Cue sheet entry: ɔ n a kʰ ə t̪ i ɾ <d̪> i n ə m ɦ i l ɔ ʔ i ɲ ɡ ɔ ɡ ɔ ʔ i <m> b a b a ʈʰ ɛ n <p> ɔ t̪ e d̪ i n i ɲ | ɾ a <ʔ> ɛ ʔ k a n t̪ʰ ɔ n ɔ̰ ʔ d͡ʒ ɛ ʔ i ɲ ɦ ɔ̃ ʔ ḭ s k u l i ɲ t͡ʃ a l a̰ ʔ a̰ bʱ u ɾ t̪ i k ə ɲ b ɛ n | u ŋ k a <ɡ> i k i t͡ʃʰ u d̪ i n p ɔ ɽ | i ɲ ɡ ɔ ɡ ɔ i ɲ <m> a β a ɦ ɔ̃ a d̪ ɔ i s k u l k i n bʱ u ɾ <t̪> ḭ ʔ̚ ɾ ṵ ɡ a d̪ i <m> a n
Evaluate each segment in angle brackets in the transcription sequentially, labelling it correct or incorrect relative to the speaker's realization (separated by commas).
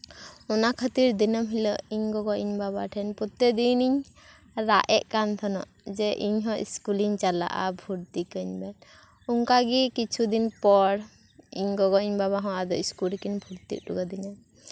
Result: correct, incorrect, correct, correct, correct, incorrect, correct, incorrect